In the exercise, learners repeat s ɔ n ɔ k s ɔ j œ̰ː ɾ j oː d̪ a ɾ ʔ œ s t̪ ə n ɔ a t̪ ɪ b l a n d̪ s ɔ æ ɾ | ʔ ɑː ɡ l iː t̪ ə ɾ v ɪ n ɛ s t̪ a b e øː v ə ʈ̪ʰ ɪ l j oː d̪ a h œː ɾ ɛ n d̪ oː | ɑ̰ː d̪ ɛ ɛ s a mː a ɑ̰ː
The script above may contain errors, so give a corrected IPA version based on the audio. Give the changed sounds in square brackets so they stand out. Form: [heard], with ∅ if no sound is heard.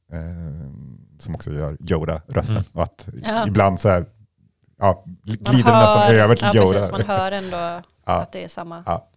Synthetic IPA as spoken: s ɔ [m] ɔ k s ɔ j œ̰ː ɾ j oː d̪ a ɾ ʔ œ s t̪ ə n ɔ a t̪ ɪ b l a n d̪ s ɔ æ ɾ | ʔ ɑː ɡ l iː [d̪] ə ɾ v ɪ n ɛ s t̪ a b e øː v ə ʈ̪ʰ ɪ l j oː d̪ a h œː ɾ ɛ n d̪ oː | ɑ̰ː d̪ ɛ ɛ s a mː a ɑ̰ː